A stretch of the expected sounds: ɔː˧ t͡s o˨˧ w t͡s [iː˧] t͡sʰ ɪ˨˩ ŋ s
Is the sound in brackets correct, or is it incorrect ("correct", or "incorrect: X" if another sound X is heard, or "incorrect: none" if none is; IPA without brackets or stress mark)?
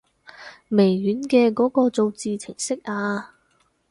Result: correct